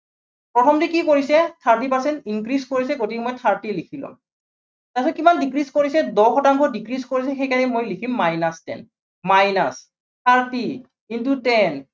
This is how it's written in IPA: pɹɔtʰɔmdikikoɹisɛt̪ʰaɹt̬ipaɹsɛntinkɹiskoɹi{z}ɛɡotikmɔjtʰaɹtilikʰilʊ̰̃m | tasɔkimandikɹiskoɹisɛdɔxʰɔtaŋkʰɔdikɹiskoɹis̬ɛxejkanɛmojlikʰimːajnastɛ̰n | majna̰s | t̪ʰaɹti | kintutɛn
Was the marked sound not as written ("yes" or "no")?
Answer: yes